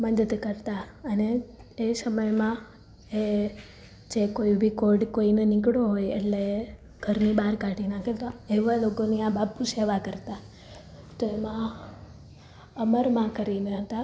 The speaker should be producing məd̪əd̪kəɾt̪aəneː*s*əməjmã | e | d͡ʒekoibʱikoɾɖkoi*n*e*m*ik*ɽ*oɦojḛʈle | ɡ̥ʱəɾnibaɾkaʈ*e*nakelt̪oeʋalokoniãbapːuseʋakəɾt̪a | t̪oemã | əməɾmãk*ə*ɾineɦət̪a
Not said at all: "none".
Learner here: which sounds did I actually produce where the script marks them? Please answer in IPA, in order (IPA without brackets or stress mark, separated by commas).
s, n, n, ɽ, i, ə